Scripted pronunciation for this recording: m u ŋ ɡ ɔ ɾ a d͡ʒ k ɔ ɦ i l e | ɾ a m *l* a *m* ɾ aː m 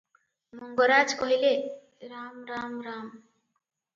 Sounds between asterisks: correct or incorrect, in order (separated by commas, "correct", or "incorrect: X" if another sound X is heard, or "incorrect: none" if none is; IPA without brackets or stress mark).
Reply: incorrect: ɾ, correct